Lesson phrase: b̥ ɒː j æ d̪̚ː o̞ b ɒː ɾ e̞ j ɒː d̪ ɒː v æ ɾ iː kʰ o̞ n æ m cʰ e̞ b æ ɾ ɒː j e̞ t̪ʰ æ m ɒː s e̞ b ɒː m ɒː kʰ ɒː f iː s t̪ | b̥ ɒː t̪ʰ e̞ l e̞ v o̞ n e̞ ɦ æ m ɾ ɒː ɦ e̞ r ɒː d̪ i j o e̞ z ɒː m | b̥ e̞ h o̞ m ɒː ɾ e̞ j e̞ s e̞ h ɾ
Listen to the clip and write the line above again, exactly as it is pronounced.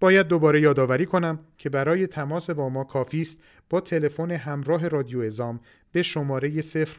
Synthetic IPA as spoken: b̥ ɒː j æ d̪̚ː o̞ b ɒː ɾ e̞ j ɒː d̪ ɒː v æ ɾ iː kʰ o̞ n æ m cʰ e̞ b æ ɾ ɒː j e̞ t̪ʰ æ m ɒː s e̞ b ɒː m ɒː kʰ ɒː f iː s t̪ | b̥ ɒː t̪ʰ e̞ l e̞ f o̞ n e̞ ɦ æ m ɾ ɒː ɦ e̞ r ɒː d̪ i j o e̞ z ɒː m | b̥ e̞ ʃ o̞ m ɒː ɾ e̞ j e̞ s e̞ f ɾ